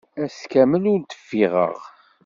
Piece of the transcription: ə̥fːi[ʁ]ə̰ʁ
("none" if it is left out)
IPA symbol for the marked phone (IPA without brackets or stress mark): ʁ